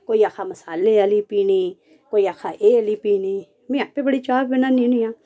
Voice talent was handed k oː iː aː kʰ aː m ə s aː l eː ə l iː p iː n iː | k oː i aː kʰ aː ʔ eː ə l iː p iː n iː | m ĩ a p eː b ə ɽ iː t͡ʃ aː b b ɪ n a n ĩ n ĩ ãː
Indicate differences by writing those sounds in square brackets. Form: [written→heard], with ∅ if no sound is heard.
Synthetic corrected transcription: k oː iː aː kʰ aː m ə s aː l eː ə l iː p iː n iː | k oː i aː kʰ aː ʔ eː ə l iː p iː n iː | m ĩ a p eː b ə ɽ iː t͡ʃ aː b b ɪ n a n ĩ n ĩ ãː